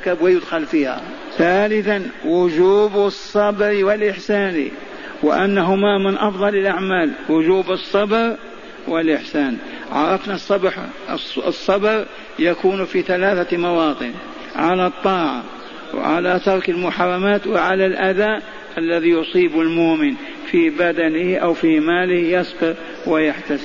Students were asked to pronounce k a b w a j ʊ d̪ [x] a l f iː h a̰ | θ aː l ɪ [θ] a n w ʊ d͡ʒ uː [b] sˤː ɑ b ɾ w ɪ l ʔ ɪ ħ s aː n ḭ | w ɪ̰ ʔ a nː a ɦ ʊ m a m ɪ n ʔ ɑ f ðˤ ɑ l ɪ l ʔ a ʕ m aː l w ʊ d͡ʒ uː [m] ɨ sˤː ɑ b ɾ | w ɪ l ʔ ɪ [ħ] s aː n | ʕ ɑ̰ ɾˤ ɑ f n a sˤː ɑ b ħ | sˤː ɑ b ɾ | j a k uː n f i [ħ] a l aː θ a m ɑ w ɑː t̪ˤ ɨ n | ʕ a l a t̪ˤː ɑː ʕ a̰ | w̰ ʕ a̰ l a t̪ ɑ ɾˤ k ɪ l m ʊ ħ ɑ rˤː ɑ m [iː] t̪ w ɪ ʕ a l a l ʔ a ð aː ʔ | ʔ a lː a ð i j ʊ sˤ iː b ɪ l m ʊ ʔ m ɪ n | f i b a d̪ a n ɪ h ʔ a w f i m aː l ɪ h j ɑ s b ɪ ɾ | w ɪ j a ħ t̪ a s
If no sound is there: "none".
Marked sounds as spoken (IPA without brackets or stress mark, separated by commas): x, θ, b, b, ħ, θ, aː